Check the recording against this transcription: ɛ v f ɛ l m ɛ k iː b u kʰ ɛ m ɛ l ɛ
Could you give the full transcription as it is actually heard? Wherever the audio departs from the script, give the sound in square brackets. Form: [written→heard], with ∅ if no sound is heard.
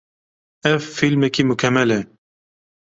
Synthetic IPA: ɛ v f [ɛ→i] l m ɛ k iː [b→m] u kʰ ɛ m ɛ l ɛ